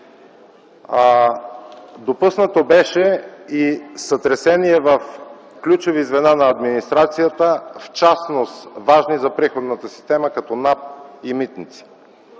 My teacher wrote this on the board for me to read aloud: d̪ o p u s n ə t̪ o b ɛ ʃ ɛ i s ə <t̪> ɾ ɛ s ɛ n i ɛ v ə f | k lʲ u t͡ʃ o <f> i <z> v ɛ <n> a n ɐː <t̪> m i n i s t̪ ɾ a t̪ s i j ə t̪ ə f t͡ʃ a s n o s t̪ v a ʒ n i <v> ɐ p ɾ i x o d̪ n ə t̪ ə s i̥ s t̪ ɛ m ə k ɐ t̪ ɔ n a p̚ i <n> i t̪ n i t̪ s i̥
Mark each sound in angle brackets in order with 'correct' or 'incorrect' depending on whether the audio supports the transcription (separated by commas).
correct, incorrect, correct, correct, incorrect, incorrect, incorrect